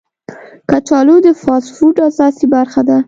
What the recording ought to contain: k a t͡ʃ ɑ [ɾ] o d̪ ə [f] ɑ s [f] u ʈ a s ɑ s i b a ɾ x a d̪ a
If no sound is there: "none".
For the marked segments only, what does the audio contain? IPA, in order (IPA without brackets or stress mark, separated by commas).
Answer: l, f, f